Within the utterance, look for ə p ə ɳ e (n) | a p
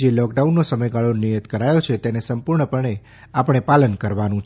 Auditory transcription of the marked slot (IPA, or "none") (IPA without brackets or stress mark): none